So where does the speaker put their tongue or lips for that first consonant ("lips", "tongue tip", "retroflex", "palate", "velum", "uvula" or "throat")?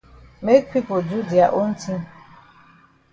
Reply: lips